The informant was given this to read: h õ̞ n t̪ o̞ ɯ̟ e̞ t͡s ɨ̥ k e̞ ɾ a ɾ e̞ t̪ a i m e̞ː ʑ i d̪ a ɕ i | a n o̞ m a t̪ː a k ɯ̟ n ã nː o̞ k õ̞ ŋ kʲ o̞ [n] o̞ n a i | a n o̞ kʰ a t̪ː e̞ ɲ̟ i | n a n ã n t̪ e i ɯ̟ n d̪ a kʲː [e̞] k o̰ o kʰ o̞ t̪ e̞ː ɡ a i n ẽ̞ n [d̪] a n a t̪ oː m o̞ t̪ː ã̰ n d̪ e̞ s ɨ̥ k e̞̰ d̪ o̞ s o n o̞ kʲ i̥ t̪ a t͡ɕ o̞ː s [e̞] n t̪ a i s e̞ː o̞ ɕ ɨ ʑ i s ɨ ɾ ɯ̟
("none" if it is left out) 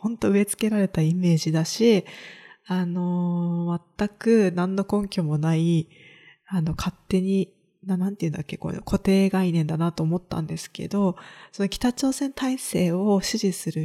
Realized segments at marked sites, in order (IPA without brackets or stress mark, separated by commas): m, e̞, d̪, ẽ̞